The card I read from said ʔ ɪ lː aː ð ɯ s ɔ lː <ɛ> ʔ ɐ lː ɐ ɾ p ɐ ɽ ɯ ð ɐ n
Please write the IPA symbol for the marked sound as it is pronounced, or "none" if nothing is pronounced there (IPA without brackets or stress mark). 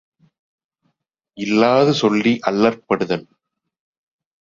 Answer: i